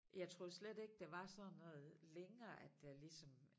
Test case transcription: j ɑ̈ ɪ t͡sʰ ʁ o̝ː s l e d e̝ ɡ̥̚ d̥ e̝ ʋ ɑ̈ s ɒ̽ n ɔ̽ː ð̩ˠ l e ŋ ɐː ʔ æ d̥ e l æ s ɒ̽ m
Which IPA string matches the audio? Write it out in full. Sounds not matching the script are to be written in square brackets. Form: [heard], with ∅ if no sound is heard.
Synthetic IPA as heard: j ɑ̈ ɪ t͡sʰ ʁ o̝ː s l e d e̝ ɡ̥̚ d̥ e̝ ʋ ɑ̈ s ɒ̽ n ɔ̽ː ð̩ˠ l e ŋ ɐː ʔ æ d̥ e l [i] s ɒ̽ m